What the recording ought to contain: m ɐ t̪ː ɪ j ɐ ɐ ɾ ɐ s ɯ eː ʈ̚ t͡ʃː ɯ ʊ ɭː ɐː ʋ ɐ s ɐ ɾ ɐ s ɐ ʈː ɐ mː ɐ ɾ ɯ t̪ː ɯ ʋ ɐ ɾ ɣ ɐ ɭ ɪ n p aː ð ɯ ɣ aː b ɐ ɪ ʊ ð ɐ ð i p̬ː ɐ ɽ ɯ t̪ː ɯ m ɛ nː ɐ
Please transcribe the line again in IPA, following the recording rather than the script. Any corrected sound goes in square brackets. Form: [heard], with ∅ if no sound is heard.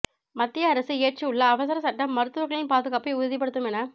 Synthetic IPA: m ɐ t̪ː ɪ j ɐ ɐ ɾ ɐ s ɯ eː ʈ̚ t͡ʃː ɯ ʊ ɭː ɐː ʋ ɐ s ɐ ɾ ɐ s ɐ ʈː ɐ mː ɐ ɾ ɯ t̪ː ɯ ʋ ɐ ɾ ɣ ɐ ɭ ɪ n p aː ð ɯ ɣ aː [p] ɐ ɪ ʊ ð ɐ ð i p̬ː ɐ ɽ ɯ t̪ː ɯ m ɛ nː ɐ

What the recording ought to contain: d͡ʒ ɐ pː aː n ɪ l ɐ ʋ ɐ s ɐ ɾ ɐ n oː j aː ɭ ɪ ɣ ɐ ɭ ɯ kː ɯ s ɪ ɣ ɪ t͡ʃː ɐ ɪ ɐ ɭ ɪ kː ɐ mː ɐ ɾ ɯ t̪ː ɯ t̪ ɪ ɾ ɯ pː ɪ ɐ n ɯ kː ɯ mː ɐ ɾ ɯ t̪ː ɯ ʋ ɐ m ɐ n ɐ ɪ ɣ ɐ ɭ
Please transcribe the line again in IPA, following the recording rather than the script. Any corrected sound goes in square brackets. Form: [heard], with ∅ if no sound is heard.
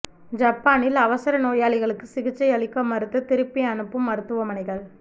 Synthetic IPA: d͡ʒ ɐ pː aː n ɪ l ɐ ʋ ɐ s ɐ ɾ ɐ n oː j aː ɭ ɪ ɣ ɐ ɭ ɯ kː ɯ s ɪ ɣ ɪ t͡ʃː ɐ ɪ ɐ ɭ ɪ kː ɐ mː ɐ ɾ ɯ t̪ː ɯ t̪ ɪ ɾ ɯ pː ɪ ɐ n ɯ [pː] ɯ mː ɐ ɾ ɯ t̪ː ɯ ʋ ɐ m ɐ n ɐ ɪ ɣ ɐ ɭ

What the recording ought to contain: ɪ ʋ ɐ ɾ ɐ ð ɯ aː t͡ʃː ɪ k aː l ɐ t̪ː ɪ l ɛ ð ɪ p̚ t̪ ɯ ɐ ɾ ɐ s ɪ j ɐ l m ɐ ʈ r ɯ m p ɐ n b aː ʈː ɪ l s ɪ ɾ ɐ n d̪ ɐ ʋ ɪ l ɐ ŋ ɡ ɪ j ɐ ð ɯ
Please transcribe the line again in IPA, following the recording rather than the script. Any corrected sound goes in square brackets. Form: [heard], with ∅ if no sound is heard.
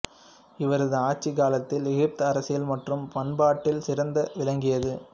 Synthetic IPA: ɪ ʋ ɐ ɾ ɐ ð ɯ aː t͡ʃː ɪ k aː l ɐ t̪ː ɪ l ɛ [ɣ] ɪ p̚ t̪ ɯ ɐ ɾ ɐ s ɪ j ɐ l m ɐ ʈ r ɯ m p ɐ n b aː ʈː ɪ l s ɪ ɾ ɐ n d̪ ɐ ʋ ɪ l ɐ ŋ ɡ ɪ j ɐ ð ɯ

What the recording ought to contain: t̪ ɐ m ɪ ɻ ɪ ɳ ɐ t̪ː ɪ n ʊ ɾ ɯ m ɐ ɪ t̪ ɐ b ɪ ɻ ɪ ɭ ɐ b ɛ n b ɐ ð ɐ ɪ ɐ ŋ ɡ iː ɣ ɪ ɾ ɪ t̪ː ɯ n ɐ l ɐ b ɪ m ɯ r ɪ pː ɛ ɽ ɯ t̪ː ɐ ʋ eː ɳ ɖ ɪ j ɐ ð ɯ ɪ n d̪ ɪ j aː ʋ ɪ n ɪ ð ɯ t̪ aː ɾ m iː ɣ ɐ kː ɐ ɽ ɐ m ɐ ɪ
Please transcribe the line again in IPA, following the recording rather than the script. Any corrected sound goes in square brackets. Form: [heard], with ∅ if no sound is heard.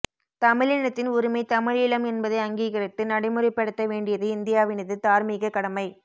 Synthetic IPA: t̪ ɐ m ɪ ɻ ɪ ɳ ɐ t̪ː ɪ n ʊ ɾ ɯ m ɐ ɪ t̪ ɐ [m] ɪ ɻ ɪ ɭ ɐ [m] ɛ n b ɐ ð ɐ ɪ ɐ ŋ ɡ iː ɣ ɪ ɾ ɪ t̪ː ɯ n ɐ [ɽ] ɐ [∅] ɪ m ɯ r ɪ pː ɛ ɽ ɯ t̪ː ɐ ʋ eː ɳ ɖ ɪ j ɐ ð ɯ ɪ n d̪ ɪ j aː ʋ ɪ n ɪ ð ɯ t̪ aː ɾ m iː ɣ ɐ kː ɐ ɽ ɐ m ɐ ɪ

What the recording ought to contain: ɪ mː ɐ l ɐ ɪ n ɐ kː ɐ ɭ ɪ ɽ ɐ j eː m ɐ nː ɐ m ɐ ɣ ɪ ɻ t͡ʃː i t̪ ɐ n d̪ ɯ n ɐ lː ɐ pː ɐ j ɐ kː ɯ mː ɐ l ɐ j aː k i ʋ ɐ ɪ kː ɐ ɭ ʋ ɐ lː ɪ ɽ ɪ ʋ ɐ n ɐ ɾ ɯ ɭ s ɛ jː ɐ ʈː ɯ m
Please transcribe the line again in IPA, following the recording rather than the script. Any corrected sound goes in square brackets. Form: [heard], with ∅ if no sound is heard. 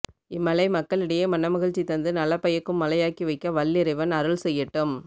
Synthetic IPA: ɪ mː ɐ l ɐ ɪ [m] ɐ kː ɐ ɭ ɪ ɽ ɐ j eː m ɐ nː ɐ m ɐ ɣ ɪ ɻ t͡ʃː i t̪ ɐ n d̪ ɯ n ɐ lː ɐ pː ɐ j ɐ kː ɯ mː ɐ l ɐ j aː k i ʋ ɐ ɪ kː ɐ [∅] ʋ ɐ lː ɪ [ɾ] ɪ ʋ ɐ n ɐ ɾ ɯ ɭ s ɛ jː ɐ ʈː ɯ m

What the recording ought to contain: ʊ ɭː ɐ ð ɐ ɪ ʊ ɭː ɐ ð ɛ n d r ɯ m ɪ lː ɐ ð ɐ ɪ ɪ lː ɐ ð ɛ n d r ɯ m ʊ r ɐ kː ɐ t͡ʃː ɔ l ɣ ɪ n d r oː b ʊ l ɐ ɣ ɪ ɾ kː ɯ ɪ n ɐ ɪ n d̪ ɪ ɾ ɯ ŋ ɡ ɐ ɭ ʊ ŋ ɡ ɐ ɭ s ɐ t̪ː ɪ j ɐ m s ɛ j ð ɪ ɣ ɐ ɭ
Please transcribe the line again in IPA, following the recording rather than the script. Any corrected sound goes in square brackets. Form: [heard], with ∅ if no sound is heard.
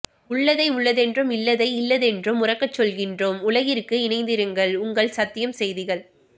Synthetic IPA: ʊ ɭː ɐ ð ɐ ɪ ʊ ɭː ɐ ð ɛ n d r ɯ m ɪ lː ɐ ð ɐ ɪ ɪ lː ɐ ð ɛ n d r ɯ m ʊ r ɐ kː ɐ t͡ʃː ɔ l ɣ ɪ n d r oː [m] ʊ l ɐ ɣ ɪ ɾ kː ɯ ɪ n ɐ ɪ n d̪ ɪ ɾ ɯ ŋ ɡ ɐ ɭ ʊ ŋ ɡ ɐ ɭ s ɐ t̪ː ɪ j ɐ m s ɛ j ð ɪ ɣ ɐ ɭ

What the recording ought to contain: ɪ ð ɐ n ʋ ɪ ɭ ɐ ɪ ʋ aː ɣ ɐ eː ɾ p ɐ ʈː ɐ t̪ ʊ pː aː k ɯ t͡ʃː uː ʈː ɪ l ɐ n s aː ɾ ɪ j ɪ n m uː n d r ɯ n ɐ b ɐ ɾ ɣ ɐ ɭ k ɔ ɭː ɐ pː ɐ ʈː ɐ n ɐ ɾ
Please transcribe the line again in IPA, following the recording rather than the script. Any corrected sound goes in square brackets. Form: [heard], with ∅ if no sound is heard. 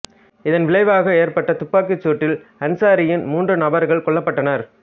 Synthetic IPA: ɪ ð ɐ n ʋ ɪ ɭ ɐ ɪ ʋ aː ɣ ɐ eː ɾ p ɐ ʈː ɐ t̪ ʊ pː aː k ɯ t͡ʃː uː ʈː ɪ l ɐ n s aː ɾ ɪ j ɪ n m uː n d r ɯ n ɐ b ɐ ɾ ɣ ɐ ɭ k ɔ ɭː ɐ pː ɐ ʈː ɐ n ɐ ɾ

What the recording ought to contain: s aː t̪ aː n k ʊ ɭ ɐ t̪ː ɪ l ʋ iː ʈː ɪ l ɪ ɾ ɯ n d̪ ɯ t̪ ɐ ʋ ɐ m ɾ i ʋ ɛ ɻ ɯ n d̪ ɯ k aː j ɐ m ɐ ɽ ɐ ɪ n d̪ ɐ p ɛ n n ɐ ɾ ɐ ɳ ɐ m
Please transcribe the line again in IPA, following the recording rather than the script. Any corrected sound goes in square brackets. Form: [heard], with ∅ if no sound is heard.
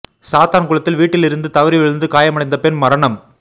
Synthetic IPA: s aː t̪ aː n k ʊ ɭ ɐ t̪ː ɪ l ʋ iː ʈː ɪ l ɪ ɾ ɯ n d̪ ɯ t̪ ɐ ʋ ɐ [∅] ɾ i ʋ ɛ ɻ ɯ n d̪ ɯ k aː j ɐ m ɐ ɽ ɐ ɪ n d̪ ɐ p ɛ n [m] ɐ ɾ ɐ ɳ ɐ m

